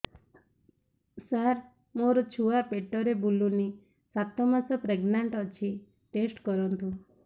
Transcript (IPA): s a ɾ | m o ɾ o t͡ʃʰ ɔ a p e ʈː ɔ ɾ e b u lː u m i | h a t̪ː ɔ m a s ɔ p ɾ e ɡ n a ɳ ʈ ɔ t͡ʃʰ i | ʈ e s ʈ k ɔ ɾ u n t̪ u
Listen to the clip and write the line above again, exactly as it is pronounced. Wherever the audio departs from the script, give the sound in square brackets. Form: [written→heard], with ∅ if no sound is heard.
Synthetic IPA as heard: s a ɾ | m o ɾ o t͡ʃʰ [ɔ→u] a p e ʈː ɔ ɾ e b u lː u [m→n] i | [h→s] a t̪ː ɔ m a s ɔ p ɾ e ɡ n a ɳ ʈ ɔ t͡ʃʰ i | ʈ e s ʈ k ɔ ɾ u n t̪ u